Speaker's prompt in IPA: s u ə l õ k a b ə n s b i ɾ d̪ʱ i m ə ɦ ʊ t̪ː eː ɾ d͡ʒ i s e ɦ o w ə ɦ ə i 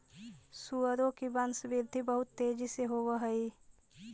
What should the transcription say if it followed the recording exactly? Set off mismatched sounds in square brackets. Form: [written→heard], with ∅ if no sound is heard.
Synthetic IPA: s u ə [l→ɾ] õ k [a→i] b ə n s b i ɾ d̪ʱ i [m→b] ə ɦ ʊ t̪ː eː [ɾ→∅] d͡ʒ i s e ɦ o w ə ɦ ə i